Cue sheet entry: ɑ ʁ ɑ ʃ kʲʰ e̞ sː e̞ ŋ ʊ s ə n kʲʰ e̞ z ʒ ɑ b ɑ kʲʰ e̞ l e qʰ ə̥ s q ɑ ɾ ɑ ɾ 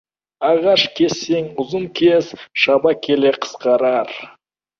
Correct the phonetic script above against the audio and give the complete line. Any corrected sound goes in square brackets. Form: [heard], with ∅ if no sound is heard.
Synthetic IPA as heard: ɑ ʁ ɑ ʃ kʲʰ e̞ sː e̞ ŋ ʊ [z] ə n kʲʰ e̞ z [ʃ] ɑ b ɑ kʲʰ e̞ l e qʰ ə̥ s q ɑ ɾ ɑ ɾ